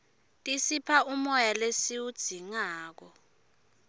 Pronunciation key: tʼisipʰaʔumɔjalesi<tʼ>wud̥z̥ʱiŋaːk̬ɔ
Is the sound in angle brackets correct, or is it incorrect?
incorrect